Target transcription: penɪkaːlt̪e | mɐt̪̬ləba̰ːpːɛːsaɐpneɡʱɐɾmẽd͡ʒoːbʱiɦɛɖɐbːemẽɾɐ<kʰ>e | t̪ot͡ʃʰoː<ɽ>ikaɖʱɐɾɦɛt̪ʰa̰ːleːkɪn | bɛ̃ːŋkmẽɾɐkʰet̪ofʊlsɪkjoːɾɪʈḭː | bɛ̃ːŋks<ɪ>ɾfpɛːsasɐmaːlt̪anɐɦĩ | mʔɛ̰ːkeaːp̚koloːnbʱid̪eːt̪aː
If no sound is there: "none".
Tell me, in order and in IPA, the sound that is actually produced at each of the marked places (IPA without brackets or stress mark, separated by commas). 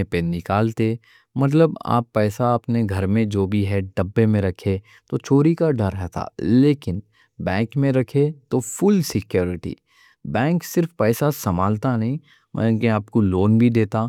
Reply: kʰ, ɾ, ɪ